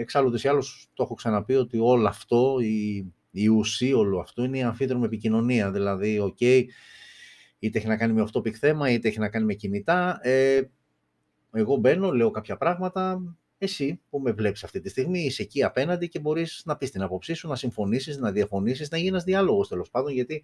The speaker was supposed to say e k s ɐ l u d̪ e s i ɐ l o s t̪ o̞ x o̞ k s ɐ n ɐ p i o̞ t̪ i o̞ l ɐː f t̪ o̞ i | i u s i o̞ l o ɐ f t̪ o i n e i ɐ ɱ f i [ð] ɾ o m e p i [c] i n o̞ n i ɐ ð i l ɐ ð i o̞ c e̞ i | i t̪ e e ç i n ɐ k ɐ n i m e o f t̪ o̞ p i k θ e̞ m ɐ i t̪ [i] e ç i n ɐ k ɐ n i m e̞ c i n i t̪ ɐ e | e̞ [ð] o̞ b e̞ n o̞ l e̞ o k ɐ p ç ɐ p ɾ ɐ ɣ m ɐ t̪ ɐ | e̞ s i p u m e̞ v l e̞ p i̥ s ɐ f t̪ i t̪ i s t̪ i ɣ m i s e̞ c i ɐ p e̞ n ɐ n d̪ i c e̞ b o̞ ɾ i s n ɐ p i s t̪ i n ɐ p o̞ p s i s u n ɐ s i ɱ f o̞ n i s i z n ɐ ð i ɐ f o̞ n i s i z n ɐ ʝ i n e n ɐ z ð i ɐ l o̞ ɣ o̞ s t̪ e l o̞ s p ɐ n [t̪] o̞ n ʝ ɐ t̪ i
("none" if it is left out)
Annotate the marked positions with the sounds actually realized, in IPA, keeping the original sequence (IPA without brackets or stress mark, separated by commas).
ð, c, e, ɣ, d̪